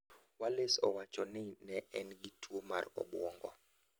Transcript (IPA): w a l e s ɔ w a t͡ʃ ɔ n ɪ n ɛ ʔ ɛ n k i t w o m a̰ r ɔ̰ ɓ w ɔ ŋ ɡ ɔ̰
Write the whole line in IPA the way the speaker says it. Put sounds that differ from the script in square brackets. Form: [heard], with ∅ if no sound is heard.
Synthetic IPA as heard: w a l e s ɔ w a t͡ʃ ɔ n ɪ n ɛ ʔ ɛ n [ɡ] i t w o m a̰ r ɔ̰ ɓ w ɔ ŋ ɡ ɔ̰